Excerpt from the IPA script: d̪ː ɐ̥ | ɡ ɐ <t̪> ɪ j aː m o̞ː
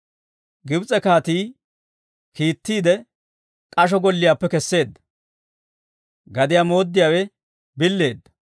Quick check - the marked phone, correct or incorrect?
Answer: incorrect